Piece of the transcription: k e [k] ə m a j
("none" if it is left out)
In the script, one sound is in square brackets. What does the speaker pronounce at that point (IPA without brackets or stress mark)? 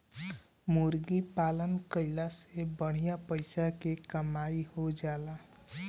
k